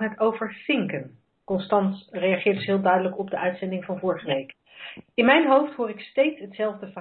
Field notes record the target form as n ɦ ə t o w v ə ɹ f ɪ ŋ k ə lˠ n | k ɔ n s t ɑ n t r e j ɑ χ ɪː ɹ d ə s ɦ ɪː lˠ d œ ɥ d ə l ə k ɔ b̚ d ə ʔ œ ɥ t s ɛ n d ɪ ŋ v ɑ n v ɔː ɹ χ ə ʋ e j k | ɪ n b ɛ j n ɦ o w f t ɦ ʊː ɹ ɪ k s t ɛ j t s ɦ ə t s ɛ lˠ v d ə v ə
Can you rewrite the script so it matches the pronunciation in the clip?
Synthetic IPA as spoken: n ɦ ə t o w v ə ɹ f ɪ ŋ k ə n | k ɔ n s t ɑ n t r e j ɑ χ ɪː ɹ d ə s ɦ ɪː lˠ d œ ɥ d ə l ə k ɔ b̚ d ə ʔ œ ɥ t s ɛ n d ɪ ŋ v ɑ n v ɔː ɹ χ ə ʋ e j k | ɪ n m ɛ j n ɦ o w f t ɦ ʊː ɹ ɪ k s t e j t s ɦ ə t s ɛ lˠ v d ə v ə